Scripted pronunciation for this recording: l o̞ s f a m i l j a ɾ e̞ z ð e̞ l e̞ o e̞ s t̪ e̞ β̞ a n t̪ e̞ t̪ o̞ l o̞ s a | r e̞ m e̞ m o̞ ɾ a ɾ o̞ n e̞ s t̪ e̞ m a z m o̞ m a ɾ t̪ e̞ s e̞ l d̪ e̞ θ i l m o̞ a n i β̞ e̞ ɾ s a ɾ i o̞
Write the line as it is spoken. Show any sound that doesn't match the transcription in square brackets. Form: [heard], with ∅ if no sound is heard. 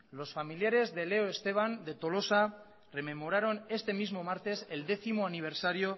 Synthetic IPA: l o̞ s f a m i l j a ɾ e̞ z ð e̞ l e̞ o e̞ s t̪ e̞ β̞ a n [d̪] e̞ t̪ o̞ l o̞ s a | r e̞ m e̞ m o̞ ɾ a ɾ o̞ n e̞ s t̪ e̞ m [i] z m o̞ m a ɾ t̪ e̞ s e̞ l d̪ e̞ θ i [∅] m o̞ a n i β̞ e̞ ɾ s a ɾ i o̞